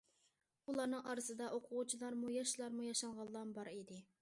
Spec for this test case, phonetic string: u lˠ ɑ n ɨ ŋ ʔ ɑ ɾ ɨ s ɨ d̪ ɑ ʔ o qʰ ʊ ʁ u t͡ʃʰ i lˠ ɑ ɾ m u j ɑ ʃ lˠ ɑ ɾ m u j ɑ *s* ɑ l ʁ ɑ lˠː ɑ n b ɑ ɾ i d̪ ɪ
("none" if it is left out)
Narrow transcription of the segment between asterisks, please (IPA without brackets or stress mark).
ʃ